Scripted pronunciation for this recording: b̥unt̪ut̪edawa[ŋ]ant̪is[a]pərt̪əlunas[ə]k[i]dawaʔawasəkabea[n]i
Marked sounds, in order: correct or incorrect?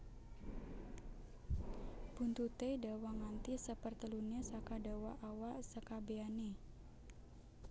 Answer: correct, incorrect: ə, incorrect: a, incorrect: a, correct

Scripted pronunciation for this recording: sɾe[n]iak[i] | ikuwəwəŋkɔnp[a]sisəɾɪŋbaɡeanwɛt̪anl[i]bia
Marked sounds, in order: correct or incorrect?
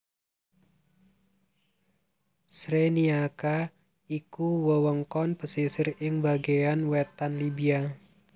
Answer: correct, incorrect: a, incorrect: ə, correct

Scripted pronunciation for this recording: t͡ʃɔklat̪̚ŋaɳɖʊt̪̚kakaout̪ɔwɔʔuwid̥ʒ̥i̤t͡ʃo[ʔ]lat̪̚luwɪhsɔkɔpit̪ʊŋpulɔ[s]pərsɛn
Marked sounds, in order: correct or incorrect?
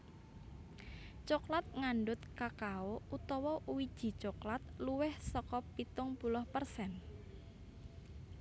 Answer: incorrect: k, incorrect: h

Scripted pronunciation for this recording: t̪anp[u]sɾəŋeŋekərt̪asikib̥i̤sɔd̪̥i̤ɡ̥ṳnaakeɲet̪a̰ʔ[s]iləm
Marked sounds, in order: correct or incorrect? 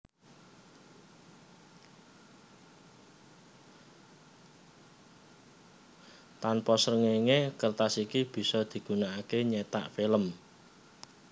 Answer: incorrect: ɔ, incorrect: f

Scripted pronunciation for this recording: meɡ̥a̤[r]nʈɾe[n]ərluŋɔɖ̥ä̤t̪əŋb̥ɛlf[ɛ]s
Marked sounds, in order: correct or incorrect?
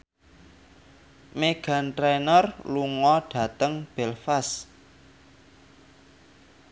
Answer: incorrect: none, correct, incorrect: a

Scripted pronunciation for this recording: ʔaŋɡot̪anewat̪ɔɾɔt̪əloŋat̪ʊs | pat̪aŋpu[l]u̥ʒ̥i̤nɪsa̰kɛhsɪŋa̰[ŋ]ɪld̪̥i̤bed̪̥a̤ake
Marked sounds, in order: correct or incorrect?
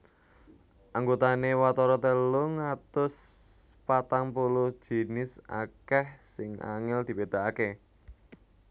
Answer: correct, correct

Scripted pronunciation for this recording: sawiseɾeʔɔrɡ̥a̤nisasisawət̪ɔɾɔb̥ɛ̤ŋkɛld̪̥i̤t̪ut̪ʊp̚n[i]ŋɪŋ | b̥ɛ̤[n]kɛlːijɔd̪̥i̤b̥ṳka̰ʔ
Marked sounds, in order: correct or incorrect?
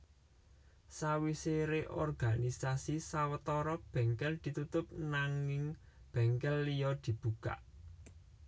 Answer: incorrect: a, incorrect: ŋ

